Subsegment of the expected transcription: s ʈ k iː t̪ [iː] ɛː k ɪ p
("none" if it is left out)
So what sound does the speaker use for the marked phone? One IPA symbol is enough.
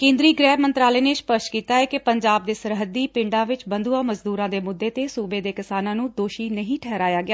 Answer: aː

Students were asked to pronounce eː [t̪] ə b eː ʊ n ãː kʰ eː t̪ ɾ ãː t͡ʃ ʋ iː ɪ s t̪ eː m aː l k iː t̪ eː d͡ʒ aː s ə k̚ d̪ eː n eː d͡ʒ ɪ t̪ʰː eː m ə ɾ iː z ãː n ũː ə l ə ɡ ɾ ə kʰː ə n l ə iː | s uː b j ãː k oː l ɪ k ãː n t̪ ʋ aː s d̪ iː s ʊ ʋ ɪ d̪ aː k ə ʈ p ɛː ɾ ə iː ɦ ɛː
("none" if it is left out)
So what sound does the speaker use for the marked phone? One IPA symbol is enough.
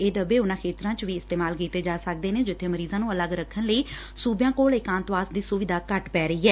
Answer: d̪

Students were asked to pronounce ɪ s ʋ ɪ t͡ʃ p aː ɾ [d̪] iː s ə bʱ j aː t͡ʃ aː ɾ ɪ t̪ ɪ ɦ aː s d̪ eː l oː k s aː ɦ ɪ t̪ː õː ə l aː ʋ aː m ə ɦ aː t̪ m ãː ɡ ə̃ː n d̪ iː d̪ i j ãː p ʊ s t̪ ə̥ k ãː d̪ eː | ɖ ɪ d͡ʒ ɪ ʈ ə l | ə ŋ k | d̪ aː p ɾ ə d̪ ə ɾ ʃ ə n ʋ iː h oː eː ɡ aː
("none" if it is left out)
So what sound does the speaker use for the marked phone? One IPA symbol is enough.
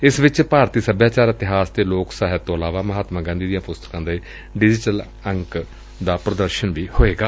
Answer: t̪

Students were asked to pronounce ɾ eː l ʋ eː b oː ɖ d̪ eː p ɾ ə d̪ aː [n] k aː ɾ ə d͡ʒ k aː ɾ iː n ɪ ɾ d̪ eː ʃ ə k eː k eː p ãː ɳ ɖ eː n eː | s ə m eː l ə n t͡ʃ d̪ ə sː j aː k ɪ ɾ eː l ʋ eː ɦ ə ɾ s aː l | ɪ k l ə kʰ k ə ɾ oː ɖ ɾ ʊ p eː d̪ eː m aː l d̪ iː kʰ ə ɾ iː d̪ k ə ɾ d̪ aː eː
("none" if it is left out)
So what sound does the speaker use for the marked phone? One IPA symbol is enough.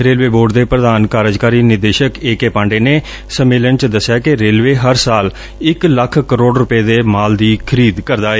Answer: n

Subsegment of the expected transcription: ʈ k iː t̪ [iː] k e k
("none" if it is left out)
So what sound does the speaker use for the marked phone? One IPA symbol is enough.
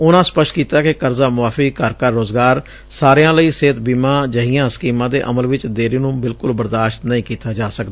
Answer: aː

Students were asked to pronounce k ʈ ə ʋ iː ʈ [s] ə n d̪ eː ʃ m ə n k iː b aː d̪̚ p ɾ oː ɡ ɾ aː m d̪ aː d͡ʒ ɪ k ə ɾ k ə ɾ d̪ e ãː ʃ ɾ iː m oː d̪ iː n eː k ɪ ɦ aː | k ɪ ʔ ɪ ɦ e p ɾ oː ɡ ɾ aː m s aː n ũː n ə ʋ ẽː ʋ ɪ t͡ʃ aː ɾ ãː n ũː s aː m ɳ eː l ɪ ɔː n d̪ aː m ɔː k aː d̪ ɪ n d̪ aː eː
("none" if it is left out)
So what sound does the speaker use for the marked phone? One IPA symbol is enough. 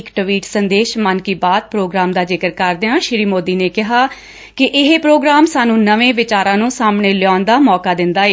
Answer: s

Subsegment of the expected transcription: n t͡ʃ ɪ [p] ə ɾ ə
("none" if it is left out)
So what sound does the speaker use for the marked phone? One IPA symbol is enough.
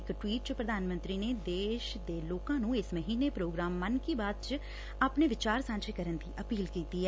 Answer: k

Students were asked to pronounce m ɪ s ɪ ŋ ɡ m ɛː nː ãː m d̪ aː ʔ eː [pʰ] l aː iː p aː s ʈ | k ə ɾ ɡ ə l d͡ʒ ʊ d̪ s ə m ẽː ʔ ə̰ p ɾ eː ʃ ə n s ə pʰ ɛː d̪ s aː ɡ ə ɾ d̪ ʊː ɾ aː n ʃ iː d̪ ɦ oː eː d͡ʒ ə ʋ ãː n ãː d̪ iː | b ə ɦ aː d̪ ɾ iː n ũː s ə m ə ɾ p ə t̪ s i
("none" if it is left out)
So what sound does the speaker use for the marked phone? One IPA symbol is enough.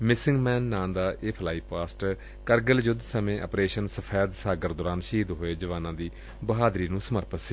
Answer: pʰ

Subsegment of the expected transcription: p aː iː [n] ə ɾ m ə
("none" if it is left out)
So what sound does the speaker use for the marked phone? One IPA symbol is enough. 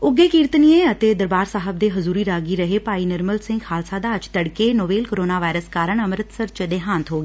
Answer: n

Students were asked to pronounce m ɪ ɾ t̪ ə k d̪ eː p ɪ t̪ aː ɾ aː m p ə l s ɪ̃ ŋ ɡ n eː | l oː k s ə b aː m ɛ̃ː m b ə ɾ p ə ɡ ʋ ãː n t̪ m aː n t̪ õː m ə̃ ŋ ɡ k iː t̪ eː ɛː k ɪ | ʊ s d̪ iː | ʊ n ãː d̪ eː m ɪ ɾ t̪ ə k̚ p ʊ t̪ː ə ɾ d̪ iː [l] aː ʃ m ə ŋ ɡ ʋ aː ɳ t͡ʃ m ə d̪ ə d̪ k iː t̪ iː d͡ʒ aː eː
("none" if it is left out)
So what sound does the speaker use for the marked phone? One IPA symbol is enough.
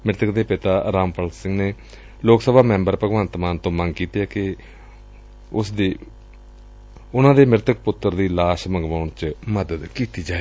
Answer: l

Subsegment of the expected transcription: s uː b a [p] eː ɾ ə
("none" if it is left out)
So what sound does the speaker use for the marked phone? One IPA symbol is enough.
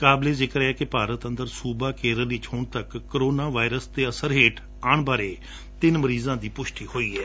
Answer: k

